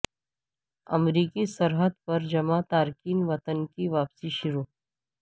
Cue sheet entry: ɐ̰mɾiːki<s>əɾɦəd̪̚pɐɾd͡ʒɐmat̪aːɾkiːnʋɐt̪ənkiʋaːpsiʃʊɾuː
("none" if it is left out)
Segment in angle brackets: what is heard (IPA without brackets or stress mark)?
s